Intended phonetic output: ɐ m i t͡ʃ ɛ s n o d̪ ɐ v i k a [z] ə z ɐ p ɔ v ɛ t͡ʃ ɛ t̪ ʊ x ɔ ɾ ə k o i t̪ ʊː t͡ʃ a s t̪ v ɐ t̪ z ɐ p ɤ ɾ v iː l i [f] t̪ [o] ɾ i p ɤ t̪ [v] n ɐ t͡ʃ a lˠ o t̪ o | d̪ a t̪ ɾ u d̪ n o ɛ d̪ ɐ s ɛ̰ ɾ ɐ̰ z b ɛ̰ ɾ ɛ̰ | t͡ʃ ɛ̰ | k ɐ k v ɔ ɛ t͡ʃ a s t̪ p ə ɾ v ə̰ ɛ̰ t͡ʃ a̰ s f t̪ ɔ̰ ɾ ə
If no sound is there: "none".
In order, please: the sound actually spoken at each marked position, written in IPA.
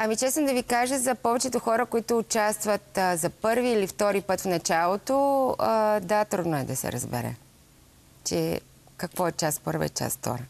ʒ, f, ɔ, f

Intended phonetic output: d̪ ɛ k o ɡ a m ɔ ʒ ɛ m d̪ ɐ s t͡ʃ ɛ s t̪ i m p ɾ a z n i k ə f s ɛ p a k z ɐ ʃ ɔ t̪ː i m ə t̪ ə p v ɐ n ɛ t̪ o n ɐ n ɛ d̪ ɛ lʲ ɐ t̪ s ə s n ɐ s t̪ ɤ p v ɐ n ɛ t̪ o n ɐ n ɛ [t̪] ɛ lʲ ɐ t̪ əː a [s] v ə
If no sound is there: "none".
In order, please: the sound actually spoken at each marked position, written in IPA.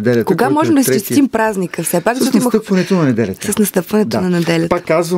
d̪, z

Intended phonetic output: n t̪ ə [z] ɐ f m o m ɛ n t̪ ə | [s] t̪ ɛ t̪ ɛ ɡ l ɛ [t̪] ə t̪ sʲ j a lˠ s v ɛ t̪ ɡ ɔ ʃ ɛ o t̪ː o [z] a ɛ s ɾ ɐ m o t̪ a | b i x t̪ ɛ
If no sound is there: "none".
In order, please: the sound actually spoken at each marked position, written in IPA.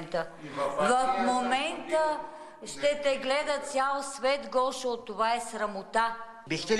v, ʃ, d̪, v

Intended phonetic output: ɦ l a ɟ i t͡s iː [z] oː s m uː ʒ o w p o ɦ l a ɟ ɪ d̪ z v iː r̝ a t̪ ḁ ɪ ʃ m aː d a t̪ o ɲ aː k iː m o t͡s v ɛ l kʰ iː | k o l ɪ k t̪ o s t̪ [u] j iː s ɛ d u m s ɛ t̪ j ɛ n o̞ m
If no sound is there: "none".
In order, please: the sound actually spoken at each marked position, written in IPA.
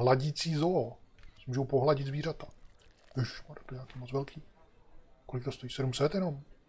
z, o

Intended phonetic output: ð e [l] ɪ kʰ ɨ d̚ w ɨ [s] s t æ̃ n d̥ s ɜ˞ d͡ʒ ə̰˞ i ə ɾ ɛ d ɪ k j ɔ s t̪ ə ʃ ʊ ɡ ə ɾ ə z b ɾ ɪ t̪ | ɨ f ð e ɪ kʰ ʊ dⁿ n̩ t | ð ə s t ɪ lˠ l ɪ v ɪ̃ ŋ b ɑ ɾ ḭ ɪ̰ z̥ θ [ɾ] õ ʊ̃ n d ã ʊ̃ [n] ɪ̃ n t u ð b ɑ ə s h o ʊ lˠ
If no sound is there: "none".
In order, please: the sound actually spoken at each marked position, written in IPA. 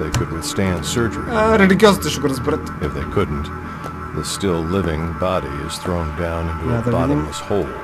none, θ, ɹ, n

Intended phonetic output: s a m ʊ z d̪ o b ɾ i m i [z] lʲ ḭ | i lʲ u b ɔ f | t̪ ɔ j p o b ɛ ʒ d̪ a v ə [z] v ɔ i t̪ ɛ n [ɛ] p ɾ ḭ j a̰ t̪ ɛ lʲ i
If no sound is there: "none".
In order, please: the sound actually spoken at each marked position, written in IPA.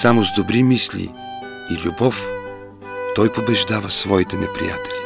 s, s, ɛ

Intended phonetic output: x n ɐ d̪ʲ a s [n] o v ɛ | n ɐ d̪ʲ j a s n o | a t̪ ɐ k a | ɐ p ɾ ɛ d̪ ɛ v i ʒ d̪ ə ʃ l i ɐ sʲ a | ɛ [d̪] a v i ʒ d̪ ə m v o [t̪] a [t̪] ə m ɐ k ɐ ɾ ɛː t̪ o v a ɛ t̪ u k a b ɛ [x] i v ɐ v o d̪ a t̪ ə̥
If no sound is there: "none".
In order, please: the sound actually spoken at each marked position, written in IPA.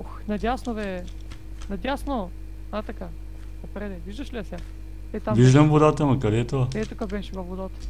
n, t̪, d̪, t̪, ʃ

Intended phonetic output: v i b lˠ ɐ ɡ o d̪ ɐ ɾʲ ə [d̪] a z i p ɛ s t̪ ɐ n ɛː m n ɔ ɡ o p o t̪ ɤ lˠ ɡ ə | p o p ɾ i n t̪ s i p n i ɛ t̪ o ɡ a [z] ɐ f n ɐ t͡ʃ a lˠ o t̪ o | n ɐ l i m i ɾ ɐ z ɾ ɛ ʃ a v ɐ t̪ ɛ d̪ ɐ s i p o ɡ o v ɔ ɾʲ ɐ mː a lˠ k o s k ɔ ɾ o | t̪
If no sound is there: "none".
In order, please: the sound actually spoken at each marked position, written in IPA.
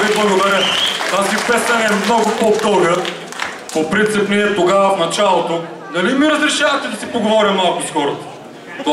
t̪, v

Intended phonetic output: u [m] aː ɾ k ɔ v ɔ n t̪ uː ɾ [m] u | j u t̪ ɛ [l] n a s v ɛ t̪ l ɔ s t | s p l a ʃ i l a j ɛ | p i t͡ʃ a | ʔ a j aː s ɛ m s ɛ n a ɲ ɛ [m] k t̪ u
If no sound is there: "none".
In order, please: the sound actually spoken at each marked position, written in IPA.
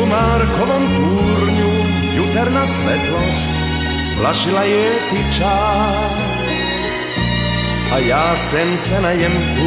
m, ɲ, ɾ, m

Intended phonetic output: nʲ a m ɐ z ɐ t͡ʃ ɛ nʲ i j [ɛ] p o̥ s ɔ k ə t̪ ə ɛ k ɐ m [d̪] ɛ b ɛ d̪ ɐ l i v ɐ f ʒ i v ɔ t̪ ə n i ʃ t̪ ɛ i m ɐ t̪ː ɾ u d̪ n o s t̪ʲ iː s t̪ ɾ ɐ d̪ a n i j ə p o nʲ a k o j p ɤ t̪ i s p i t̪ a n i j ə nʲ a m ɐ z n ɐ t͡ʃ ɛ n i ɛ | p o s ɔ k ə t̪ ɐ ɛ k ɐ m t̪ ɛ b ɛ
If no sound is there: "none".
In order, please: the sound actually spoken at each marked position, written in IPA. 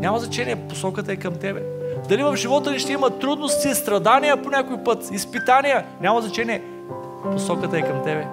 ɛ, t̪

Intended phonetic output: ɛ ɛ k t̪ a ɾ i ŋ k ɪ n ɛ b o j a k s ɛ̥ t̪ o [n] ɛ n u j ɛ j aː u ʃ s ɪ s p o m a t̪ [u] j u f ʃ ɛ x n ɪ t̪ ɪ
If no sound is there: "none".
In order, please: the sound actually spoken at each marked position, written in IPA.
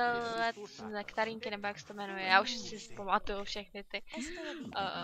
m, u

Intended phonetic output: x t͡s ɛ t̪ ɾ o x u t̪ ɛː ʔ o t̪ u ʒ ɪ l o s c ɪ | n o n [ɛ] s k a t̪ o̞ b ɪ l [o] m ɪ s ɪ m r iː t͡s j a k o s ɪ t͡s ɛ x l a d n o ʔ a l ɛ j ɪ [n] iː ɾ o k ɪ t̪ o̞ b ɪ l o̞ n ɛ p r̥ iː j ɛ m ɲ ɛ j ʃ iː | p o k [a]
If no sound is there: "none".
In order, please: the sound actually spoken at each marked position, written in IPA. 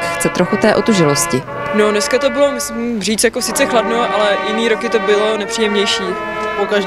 ɛ, o, n, a

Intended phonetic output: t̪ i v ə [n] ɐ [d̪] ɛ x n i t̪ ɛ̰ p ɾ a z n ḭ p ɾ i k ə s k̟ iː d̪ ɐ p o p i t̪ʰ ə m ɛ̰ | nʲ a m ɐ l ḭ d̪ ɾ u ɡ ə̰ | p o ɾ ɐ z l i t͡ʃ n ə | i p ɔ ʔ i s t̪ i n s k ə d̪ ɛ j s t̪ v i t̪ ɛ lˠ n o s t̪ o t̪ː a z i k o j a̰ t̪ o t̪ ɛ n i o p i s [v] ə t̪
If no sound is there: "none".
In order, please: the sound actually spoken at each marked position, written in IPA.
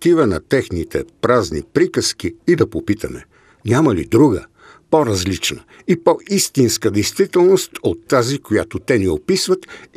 n, t̪, v

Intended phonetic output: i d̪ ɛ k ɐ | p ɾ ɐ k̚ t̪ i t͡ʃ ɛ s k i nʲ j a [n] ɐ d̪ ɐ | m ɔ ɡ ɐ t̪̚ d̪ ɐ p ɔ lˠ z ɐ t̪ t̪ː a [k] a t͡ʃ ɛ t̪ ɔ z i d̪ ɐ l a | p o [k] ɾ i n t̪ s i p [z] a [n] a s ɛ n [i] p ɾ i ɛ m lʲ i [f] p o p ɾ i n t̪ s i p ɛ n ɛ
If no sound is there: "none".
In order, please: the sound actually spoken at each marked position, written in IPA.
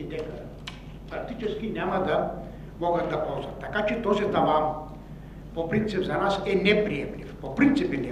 m, k, p, z, n, ɛ, f

